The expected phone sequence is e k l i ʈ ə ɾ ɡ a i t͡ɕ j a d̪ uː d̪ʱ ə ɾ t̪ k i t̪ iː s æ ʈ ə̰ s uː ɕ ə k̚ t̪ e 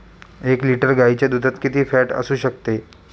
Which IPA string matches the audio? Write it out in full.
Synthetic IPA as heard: e k l i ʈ ə ɾ ɡ a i t͡ɕ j a d̪ u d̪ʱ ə t̪ k i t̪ iː f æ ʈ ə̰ s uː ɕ ə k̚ t̪ e